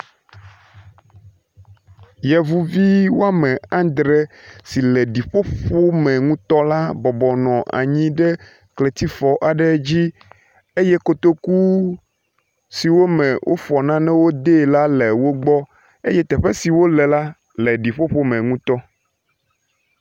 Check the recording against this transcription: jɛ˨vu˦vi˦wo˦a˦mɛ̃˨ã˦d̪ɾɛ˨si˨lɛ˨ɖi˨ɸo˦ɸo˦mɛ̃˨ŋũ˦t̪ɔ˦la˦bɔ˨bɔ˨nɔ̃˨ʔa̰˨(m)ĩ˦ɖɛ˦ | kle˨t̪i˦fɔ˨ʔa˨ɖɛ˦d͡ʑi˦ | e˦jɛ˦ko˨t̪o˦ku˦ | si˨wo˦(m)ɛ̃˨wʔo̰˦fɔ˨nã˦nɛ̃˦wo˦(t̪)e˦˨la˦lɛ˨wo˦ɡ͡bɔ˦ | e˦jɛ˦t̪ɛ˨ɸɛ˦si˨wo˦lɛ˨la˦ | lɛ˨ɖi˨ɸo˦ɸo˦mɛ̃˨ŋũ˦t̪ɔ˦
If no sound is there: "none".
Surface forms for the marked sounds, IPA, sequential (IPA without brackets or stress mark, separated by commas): ɲ, m, d̪